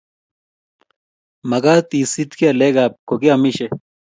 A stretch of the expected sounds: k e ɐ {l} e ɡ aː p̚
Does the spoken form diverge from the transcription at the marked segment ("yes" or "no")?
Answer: no